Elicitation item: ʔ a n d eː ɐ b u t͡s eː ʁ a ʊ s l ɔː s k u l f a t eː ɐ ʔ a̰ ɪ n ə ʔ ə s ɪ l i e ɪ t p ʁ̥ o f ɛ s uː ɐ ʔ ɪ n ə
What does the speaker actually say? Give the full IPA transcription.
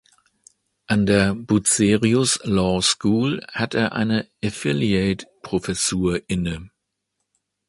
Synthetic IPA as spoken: ʔ a n d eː ɐ b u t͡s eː ʁ i ʊ s l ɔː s k uː l h a t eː ɐ ʔ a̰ ɪ n ə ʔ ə f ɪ l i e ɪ t p ʁ̥ o f ɛ s uː ɐ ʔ ɪ n ə